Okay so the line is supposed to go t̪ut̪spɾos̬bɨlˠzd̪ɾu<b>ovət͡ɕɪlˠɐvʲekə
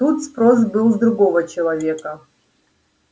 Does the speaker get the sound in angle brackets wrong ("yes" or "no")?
yes